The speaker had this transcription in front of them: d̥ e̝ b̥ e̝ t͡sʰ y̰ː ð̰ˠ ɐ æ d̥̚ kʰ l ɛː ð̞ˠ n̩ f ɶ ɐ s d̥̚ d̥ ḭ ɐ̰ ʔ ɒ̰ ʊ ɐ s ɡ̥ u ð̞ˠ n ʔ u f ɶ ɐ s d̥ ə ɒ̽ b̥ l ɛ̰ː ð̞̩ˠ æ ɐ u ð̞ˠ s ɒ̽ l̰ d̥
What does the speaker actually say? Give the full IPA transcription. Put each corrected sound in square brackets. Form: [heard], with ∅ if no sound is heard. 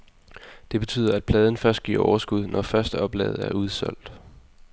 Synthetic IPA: d̥ e̝ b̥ e̝ t͡sʰ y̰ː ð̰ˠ ɐ æ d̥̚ [pʰ] l ɛː ð̞ˠ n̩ f ɶ ɐ s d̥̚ [ɡ̥] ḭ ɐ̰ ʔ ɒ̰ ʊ ɐ s ɡ̥ u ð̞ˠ n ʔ [ɒ] f ɶ ɐ s d̥ ə ɒ̽ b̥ l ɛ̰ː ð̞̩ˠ æ ɐ u ð̞ˠ s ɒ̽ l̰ d̥